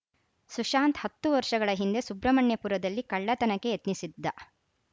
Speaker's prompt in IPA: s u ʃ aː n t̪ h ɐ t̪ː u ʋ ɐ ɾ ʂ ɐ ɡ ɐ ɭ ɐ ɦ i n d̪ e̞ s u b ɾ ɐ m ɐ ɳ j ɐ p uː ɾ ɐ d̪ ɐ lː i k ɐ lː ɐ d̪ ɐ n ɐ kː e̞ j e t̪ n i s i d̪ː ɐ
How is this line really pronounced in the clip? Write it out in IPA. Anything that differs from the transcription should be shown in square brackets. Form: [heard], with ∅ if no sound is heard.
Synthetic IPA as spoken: s u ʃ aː n t̪ h ɐ t̪ː u ʋ ɐ ɾ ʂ ɐ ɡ ɐ ɭ ɐ ɦ i n d̪ e̞ s u b ɾ ɐ m ɐ ɳ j ɐ p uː ɾ ɐ d̪ ɐ lː i k ɐ [ɭː] ɐ [t̪] ɐ n ɐ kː e̞ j e t̪ n i s i d̪ː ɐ